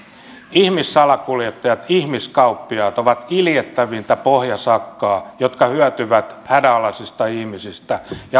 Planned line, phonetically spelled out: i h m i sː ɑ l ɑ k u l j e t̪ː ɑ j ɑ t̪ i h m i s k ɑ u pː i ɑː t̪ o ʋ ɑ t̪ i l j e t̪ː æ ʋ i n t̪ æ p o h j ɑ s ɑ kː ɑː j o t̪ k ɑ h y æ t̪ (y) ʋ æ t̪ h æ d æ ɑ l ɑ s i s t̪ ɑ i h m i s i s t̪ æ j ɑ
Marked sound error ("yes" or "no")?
no